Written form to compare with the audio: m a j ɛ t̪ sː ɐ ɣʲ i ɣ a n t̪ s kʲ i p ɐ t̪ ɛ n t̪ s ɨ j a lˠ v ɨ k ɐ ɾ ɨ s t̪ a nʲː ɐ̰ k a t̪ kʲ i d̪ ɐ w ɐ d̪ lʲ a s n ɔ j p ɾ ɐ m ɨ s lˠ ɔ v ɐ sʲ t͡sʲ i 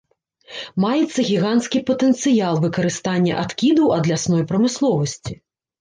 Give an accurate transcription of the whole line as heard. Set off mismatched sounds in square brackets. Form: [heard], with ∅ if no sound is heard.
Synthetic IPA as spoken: m a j ɛ t̪ sː ɐ ɣʲ i ɣ a n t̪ s kʲ i p ɐ t̪ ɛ n t̪ s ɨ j a lˠ v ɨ k ɐ ɾ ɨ s t̪ a nʲː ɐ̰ [ʔ] a t̪ kʲ i d̪ ɐ w ɐ d̪ lʲ a s n ɔ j p ɾ ɐ m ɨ s lˠ ɔ v ɐ sʲ t͡sʲ i